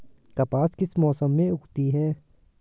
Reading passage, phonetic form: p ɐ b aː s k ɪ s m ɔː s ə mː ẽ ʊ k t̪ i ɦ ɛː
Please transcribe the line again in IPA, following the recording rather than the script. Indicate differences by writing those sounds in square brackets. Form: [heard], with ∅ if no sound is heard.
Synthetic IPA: [k] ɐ [p] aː s k ɪ s m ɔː s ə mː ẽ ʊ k t̪ i ɦ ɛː